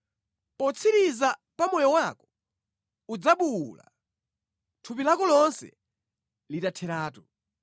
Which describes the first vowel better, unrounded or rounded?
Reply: rounded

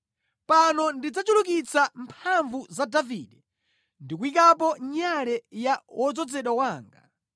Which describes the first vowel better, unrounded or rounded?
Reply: unrounded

